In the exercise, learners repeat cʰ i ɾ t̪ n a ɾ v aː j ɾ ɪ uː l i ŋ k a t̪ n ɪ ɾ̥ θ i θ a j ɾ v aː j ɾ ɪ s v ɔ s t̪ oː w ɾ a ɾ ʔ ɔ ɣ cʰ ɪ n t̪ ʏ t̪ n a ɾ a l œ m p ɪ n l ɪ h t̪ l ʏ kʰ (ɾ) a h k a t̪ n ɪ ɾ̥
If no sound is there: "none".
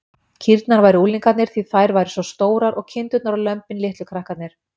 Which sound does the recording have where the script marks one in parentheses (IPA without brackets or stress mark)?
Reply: ɾ